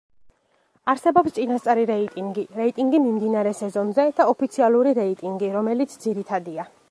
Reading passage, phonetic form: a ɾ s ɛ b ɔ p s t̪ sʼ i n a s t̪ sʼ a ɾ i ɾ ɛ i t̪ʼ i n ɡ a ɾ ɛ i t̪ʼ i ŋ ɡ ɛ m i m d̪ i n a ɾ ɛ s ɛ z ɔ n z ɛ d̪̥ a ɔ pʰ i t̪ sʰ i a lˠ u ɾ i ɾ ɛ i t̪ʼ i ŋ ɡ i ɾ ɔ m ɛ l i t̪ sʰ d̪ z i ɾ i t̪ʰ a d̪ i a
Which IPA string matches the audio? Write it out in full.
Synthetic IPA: a ɾ s ɛ b ɔ p s t̪ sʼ i n a s t̪ sʼ a ɾ i ɾ ɛ i t̪ʼ i ŋ ɡ i ɾ ɛ i t̪ʼ i ŋ ɡ i m i m d̪ i n a ɾ ɛ s ɛ z ɔ n z ɛ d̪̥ a ɔ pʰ i t̪ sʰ i a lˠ u ɾ i ɾ ɛ i t̪ʼ i ŋ ɡ i ɾ ɔ m ɛ l i t̪ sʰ d̪ z i ɾ i t̪ʰ a d̪ i a